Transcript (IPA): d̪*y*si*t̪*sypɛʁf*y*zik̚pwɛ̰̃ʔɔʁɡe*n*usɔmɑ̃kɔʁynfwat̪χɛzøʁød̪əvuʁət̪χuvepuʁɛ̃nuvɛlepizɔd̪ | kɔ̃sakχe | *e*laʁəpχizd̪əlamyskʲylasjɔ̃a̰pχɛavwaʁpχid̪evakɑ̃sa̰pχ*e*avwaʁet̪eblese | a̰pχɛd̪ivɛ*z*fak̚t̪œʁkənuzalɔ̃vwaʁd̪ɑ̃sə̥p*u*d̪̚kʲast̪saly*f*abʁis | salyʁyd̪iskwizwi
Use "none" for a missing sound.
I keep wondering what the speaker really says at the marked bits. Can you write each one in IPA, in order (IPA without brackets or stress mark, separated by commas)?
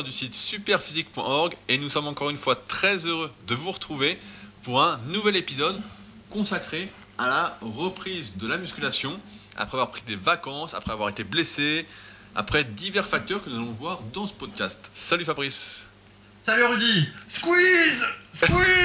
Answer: y, t̪, i, n, a, ɛ, ʁ, ɔ, f